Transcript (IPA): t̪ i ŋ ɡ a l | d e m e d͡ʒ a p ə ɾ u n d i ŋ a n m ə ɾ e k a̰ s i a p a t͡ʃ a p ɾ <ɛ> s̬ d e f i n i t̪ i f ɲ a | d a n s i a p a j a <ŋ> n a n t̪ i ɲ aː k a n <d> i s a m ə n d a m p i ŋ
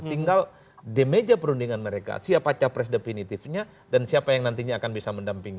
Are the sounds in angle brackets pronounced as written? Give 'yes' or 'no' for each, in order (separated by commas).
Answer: yes, yes, no